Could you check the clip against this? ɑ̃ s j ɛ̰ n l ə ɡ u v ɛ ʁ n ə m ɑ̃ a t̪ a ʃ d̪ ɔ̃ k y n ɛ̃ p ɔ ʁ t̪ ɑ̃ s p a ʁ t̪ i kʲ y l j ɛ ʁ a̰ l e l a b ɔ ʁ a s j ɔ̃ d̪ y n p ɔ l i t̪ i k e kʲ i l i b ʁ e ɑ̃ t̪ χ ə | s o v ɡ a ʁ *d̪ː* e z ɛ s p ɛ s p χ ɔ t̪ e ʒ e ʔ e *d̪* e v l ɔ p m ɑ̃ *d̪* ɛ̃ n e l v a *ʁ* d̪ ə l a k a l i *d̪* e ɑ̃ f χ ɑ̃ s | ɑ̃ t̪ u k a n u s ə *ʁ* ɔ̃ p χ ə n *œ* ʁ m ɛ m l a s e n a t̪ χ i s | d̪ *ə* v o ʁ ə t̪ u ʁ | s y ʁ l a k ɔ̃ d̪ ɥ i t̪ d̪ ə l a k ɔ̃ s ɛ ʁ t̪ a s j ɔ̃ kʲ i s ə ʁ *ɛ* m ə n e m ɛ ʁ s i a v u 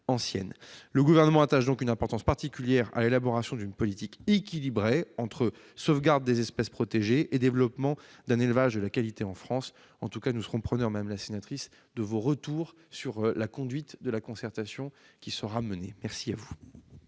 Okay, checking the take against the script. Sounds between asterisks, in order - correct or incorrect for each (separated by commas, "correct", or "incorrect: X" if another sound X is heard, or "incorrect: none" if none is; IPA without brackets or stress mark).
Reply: correct, correct, correct, incorrect: ʒ, incorrect: t̪, correct, correct, correct, incorrect: a